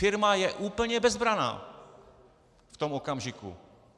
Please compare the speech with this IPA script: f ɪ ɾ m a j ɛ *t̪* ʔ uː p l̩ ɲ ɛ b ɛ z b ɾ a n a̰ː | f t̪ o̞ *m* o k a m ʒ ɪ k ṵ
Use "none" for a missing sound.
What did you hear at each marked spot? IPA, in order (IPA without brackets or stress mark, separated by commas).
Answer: none, m